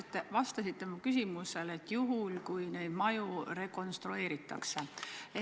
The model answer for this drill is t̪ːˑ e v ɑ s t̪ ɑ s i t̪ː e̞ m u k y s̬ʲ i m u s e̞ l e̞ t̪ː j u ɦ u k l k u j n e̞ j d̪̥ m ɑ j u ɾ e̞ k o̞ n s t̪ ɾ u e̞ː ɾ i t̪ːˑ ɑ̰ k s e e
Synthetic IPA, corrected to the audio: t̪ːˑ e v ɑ s t̪ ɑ s i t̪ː e̞ m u k y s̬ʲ i m u s e̞ l e̞ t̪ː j u ɦ u l k u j n e̞ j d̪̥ m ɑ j u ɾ e̞ k o̞ n s t̪ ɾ u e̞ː ɾ i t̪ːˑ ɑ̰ k s e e